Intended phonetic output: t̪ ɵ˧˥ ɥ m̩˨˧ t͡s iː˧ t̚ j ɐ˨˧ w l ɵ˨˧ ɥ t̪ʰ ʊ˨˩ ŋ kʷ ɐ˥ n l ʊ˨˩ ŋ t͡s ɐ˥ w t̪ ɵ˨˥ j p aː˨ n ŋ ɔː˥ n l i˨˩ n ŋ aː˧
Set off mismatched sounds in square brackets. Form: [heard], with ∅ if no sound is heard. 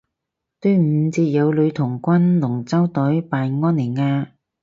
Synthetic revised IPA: t̪ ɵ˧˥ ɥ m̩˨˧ t͡s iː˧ t̚ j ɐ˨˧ w l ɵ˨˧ ɥ t̪ʰ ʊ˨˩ ŋ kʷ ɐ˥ n l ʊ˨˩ ŋ t͡s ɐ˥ w t̪ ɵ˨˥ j p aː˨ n ŋ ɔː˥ n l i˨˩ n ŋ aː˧